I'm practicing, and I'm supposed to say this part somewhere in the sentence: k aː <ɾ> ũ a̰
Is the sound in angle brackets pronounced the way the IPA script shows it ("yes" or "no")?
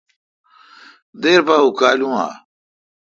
no